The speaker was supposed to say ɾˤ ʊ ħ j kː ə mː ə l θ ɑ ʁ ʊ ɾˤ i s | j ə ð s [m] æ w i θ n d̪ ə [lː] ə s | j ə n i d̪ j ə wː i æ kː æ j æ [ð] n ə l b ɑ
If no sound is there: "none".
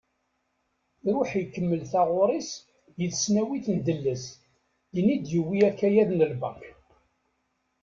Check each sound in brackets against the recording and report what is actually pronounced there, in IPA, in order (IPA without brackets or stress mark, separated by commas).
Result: n, lː, ð